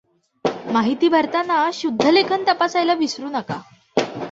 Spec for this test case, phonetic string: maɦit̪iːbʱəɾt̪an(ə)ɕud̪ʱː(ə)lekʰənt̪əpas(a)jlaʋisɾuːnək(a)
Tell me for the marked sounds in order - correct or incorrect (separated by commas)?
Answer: incorrect, correct, correct, correct